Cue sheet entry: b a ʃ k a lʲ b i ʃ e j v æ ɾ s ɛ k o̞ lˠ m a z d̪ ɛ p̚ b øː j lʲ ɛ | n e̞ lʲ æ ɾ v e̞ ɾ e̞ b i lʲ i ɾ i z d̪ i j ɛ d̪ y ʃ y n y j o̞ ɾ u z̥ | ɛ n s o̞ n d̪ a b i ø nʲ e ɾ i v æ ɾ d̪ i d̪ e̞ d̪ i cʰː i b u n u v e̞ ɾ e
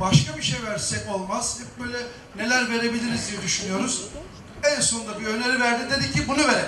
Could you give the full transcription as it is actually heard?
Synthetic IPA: b a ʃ k a b i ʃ e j v æ ɾ s ɛ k o̞ lˠ m a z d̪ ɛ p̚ b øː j lʲ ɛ | n e̞ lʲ æ ɾ v e̞ ɾ e̞ b i lʲ i ɾ i z d̪ i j ɛ d̪ y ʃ y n y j o̞ ɾ u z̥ | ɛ n s o̞ n d̪ a b i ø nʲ e ɾ i v æ ɾ d̪ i d̪ e̞ d̪ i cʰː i b u n u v e̞ ɾ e